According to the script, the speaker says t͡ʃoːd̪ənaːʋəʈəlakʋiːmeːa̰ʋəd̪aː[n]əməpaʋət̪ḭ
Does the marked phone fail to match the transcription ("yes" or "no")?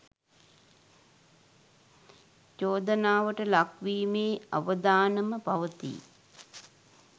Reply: no